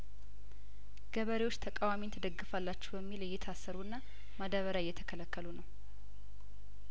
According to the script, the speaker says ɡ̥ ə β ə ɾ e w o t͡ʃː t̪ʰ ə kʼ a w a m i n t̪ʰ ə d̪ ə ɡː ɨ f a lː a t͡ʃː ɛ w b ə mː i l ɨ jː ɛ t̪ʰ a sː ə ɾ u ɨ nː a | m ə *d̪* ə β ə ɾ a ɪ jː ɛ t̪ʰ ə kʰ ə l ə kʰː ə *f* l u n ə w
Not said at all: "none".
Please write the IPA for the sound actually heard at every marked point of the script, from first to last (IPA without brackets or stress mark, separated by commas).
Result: d̪, none